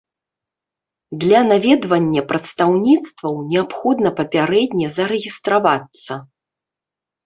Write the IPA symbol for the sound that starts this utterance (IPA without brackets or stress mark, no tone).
d̪